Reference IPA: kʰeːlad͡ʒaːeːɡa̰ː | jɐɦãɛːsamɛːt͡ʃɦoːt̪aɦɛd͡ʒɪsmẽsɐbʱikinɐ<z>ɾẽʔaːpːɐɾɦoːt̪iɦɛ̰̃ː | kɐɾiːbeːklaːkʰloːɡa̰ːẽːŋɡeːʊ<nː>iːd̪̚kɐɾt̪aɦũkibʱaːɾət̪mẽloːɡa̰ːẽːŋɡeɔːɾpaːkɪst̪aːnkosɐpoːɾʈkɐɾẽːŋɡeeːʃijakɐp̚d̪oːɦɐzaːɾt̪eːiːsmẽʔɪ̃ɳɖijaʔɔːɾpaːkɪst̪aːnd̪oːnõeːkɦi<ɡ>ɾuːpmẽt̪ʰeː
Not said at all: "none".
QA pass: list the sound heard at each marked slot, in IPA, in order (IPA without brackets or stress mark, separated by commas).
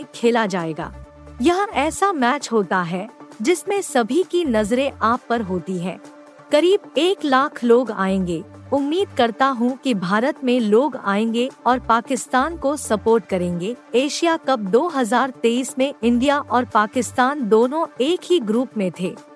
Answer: z, mː, ɡ